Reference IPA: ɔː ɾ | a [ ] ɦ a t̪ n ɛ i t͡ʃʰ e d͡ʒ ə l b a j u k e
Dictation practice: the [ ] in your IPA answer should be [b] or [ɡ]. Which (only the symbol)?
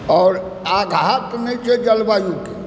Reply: ɡ